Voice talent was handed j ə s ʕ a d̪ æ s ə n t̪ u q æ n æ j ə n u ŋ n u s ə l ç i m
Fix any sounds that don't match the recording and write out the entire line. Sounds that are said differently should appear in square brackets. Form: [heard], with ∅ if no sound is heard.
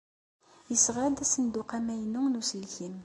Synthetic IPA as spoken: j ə s [ʁ] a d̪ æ s ə n [d̪] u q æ [m] æ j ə n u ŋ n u s ə l ç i m